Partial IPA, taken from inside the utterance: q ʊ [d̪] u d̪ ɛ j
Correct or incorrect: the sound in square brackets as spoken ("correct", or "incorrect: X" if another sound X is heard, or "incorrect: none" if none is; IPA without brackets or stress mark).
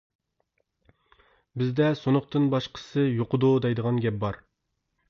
correct